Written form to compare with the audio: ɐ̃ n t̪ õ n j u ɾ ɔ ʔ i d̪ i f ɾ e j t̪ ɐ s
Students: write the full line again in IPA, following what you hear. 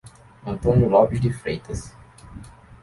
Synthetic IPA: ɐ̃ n t̪ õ n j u l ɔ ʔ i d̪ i f ɾ e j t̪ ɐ s